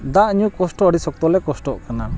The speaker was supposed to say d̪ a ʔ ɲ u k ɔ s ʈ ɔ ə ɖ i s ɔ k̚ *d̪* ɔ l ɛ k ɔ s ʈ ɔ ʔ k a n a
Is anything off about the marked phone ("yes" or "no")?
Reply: yes